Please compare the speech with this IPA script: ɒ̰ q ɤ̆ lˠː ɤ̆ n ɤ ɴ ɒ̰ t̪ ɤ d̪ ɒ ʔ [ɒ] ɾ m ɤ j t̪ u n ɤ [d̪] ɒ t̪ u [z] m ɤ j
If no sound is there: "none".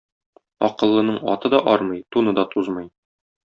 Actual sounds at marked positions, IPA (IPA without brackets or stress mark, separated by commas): ɒ, d̪, z